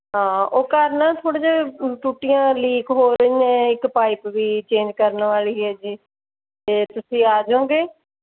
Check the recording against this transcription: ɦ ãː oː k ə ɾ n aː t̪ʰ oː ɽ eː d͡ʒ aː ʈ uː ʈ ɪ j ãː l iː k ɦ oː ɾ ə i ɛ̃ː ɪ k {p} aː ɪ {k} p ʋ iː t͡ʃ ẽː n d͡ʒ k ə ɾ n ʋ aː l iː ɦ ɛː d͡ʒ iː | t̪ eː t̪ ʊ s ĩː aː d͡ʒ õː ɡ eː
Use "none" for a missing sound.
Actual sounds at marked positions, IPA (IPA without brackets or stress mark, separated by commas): p, none